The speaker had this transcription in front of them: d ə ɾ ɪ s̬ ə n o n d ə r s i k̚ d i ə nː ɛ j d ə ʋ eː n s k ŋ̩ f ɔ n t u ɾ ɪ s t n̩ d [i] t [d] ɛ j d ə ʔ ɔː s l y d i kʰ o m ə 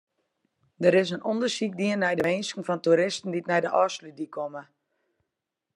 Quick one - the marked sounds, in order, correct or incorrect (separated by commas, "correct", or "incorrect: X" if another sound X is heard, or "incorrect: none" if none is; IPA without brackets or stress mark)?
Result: correct, incorrect: n